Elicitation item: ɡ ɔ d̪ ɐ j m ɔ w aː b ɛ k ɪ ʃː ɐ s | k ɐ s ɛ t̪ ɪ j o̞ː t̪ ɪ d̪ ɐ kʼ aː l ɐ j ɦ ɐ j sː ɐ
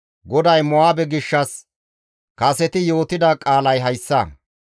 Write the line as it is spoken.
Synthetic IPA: ɡ ɔ d̪ ɐ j m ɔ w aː b ɛ ɡ ɪ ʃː ɐ s | k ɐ s ɛ t̪ ɪ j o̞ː t̪ ɪ d̪ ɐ kʼ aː l ɐ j ɦ ɐ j sː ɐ